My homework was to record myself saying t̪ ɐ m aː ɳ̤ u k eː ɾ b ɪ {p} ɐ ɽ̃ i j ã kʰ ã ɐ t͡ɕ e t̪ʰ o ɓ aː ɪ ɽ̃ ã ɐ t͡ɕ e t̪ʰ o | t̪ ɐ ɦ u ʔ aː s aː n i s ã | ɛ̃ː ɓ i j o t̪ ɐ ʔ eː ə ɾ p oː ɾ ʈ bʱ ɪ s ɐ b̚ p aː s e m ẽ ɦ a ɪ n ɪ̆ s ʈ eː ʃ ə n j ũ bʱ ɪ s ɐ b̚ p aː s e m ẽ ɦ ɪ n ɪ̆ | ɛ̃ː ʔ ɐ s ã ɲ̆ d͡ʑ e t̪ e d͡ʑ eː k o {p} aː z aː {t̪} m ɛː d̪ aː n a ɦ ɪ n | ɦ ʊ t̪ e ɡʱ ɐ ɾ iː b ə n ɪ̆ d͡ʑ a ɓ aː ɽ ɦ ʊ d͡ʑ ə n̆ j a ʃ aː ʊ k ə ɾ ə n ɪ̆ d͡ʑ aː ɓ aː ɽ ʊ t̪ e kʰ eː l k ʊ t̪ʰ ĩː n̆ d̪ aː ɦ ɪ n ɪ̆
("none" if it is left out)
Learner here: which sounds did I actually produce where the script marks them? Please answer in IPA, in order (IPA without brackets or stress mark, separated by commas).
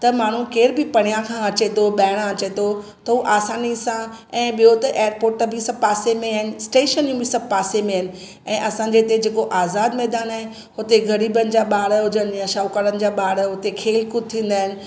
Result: p, ʔ, d̪